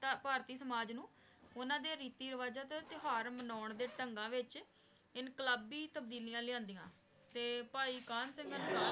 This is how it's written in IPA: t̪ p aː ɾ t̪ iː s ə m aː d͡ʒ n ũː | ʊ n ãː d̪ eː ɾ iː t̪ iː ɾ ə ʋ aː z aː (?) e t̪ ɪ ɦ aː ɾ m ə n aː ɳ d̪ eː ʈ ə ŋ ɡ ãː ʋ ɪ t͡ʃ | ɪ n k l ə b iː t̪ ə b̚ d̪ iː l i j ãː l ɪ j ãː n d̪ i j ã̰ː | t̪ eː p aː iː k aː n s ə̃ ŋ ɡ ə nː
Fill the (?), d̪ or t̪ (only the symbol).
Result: t̪